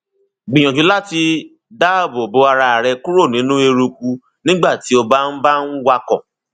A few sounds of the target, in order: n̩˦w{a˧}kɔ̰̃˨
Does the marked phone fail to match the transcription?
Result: no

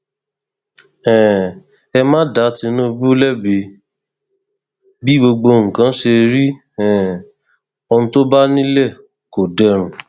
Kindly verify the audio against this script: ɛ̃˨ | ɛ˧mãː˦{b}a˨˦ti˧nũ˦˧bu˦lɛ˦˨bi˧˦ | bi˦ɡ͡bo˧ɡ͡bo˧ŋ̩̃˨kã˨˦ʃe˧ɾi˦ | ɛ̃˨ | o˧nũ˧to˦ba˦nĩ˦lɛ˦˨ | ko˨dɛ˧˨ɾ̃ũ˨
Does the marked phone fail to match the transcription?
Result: yes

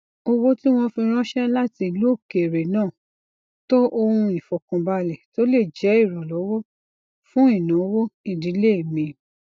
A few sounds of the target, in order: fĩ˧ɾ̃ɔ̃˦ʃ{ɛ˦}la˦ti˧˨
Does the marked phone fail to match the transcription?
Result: no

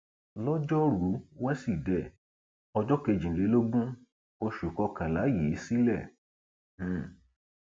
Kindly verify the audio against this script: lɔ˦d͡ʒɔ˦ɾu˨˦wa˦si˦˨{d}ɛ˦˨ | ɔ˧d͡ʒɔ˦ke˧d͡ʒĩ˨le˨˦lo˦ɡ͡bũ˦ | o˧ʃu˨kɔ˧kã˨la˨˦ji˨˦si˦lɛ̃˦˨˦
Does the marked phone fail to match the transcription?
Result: no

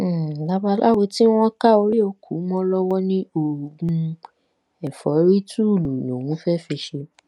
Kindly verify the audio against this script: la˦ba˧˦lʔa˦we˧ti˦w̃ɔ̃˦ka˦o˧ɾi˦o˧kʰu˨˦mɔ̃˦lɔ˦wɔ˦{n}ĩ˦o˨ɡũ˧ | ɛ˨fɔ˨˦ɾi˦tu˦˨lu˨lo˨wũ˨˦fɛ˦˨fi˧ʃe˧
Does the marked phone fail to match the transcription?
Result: no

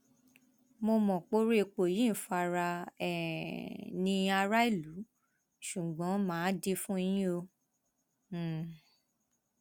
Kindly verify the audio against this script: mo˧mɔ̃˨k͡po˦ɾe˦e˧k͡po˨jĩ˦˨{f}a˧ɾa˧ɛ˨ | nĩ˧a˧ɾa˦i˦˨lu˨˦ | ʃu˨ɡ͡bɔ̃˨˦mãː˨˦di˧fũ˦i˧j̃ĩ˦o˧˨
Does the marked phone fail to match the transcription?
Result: no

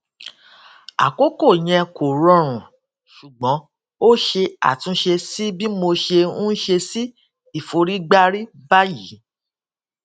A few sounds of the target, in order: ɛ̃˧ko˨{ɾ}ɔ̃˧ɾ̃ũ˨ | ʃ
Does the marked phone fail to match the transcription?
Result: no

